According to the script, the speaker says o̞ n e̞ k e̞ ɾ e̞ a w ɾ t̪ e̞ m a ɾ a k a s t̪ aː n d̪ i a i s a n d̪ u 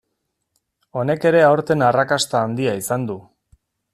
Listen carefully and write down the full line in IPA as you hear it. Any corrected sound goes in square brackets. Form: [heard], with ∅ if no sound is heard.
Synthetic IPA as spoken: o̞ n e̞ k e̞ ɾ e̞ a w ɾ t̪ e̞ [n] a [r] a k a s t̪ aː n d̪ i a i s a n d̪ u